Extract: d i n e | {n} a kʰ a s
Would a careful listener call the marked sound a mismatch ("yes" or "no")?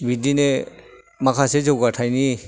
yes